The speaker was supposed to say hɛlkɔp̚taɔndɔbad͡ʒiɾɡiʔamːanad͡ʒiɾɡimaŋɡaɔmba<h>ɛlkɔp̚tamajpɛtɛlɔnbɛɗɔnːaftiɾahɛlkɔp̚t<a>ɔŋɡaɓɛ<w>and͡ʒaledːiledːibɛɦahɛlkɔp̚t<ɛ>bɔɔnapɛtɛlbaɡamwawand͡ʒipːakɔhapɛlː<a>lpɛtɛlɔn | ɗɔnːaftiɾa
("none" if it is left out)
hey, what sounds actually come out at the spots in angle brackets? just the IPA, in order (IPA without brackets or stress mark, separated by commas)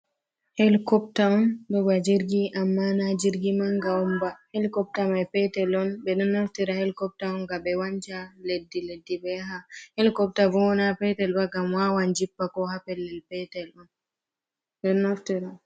h, a, w, a, ɛ